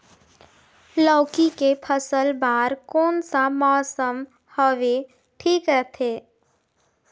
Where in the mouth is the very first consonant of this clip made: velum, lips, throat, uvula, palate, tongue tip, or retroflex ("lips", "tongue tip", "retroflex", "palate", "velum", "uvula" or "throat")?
tongue tip